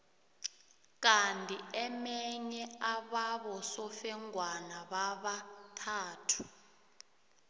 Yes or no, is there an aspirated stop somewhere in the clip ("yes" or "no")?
yes